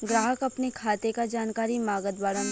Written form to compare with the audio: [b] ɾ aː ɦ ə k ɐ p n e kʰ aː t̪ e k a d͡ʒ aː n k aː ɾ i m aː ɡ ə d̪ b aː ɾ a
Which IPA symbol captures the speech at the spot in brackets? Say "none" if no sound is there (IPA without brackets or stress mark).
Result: ɡ